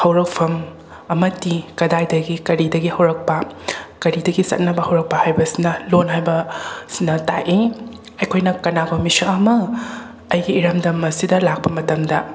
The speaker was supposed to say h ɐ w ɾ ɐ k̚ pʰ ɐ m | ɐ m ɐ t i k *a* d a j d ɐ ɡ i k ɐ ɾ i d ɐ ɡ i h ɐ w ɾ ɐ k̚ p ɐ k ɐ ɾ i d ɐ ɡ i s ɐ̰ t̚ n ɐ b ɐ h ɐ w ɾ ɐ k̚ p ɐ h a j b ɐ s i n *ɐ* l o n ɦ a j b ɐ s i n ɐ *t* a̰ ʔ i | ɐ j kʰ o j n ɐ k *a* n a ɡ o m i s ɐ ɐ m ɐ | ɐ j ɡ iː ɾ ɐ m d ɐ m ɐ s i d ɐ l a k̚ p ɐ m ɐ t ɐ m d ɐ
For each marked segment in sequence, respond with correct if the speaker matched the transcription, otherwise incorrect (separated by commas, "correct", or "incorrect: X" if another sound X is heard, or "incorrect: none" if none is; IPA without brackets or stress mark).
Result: incorrect: ɐ, correct, correct, incorrect: ɐ